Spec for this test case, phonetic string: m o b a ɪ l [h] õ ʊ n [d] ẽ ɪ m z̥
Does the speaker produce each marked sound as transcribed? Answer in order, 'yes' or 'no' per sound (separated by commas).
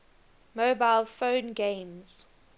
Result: no, no